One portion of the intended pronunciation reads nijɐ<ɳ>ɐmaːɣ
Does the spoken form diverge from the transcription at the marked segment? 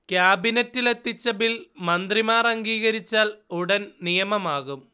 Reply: yes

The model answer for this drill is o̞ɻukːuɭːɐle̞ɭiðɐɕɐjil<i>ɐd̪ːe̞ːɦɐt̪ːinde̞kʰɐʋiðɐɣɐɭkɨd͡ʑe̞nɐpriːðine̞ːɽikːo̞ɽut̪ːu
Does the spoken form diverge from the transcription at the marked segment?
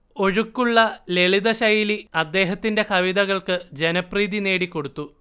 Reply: no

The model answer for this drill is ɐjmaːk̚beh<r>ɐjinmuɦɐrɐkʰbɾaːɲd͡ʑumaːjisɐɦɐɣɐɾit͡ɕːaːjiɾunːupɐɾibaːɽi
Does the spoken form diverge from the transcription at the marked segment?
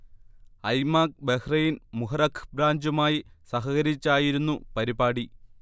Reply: no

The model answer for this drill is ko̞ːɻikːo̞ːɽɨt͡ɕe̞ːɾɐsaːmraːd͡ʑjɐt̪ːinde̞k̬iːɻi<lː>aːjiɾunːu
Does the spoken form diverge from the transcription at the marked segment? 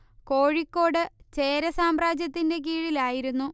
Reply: yes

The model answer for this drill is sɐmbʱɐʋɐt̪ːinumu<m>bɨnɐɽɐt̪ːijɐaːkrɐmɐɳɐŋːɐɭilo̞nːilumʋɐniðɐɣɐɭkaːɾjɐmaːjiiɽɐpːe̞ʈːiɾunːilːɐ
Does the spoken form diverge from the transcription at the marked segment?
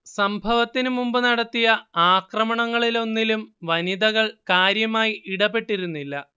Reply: no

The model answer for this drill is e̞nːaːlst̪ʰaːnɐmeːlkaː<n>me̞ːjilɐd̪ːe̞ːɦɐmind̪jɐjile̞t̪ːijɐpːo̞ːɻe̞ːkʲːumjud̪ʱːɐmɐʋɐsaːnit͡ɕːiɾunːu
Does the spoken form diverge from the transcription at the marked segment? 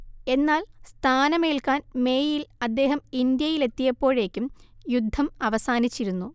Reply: no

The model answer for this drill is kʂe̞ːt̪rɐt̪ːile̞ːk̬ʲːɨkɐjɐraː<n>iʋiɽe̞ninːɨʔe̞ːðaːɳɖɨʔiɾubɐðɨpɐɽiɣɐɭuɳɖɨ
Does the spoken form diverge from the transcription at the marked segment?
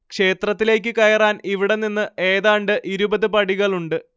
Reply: no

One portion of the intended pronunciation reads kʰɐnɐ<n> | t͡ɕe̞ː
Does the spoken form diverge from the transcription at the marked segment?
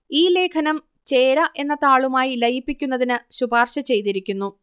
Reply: yes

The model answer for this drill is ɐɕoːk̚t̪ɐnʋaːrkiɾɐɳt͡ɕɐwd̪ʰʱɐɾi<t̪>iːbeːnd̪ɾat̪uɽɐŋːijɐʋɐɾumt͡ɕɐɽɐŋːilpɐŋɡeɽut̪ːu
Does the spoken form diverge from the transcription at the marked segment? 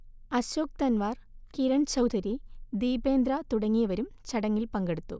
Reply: yes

